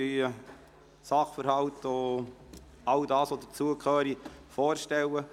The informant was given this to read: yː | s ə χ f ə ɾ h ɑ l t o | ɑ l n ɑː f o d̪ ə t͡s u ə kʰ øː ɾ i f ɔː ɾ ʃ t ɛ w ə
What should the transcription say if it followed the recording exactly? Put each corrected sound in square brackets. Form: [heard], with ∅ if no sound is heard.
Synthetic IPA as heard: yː | s [ɑ] χ f ə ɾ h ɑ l t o | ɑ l [d] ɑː [s] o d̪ ə t͡s u ə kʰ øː ɾ i f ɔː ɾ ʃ t ɛ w ə